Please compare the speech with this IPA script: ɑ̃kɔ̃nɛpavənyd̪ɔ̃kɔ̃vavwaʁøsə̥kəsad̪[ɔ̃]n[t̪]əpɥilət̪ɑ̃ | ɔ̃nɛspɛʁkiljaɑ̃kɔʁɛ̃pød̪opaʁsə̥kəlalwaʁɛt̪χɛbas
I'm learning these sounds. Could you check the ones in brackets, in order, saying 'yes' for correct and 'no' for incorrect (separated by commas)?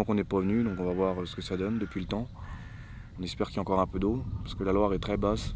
no, no